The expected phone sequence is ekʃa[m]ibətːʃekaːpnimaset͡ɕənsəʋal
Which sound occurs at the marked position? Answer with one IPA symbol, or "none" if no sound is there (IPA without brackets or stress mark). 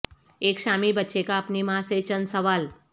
m